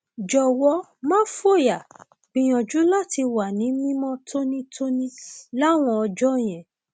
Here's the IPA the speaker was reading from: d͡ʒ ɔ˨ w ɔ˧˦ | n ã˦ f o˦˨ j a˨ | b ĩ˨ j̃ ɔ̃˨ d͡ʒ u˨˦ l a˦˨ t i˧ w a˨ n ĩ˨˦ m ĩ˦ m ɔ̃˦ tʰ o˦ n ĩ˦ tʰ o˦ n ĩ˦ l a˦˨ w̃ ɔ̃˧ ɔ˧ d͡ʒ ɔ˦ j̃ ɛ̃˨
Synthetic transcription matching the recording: d͡ʒ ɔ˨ w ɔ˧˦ | m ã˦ f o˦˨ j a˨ | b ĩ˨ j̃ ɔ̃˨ d͡ʒ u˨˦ l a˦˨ t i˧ w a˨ n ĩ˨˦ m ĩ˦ m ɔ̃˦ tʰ o˦ n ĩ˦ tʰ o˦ n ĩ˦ l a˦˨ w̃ ɔ̃˧ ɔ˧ d͡ʒ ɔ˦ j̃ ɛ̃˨